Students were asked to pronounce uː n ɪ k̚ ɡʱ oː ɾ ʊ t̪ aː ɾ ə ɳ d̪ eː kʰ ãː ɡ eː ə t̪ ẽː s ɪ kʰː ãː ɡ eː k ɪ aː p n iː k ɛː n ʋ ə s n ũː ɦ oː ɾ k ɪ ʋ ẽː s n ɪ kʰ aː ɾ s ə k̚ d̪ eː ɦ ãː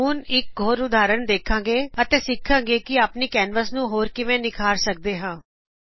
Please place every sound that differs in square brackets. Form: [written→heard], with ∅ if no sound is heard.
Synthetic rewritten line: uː n ɪ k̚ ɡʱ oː ɾ ʊ [t̪→d̪] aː ɾ ə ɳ d̪ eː kʰ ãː ɡ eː ə t̪ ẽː s ɪ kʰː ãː ɡ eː k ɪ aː p n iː k ɛː n ʋ ə s n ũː ɦ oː ɾ k ɪ ʋ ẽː [s→∅] n ɪ kʰ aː ɾ s ə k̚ d̪ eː ɦ ãː